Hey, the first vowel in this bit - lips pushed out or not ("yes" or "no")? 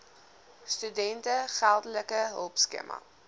yes